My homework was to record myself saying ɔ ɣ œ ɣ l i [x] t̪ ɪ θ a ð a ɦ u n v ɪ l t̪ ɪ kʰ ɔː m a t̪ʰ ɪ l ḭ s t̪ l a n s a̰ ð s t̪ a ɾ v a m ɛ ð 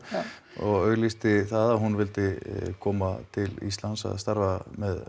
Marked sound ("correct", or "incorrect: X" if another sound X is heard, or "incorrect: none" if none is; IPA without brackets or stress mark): incorrect: s